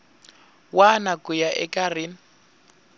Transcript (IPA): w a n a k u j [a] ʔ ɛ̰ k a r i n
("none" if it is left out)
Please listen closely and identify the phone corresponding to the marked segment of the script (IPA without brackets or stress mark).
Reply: a